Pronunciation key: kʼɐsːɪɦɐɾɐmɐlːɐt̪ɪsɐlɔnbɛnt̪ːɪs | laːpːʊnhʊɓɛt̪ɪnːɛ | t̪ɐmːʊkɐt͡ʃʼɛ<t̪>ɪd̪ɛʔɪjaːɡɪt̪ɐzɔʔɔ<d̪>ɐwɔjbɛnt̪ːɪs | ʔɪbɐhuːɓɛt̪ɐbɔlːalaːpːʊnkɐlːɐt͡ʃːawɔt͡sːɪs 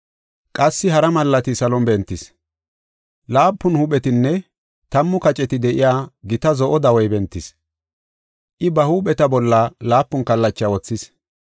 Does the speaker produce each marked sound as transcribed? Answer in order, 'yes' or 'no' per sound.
yes, yes

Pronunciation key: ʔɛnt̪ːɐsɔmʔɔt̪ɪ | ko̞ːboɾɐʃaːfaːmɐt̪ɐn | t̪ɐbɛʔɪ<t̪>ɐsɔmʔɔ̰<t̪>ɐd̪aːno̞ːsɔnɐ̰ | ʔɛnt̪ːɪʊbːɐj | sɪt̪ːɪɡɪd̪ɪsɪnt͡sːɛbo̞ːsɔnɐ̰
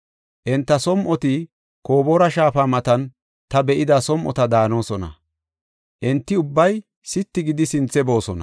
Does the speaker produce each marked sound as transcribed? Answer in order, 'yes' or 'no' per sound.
no, yes

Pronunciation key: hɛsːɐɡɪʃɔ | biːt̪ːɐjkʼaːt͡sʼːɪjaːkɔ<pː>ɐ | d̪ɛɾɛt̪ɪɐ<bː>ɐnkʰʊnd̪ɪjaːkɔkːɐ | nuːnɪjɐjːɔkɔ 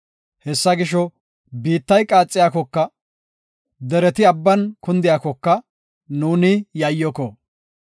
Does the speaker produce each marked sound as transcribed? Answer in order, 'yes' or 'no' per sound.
no, yes

